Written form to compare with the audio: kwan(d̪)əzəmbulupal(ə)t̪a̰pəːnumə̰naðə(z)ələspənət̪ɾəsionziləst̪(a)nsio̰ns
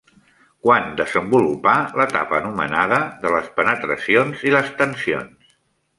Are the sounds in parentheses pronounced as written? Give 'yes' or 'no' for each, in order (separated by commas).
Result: yes, yes, no, no